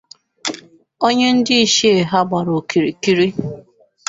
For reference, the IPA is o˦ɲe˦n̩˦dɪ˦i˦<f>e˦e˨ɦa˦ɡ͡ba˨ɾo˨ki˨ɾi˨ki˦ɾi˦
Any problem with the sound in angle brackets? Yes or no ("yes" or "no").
yes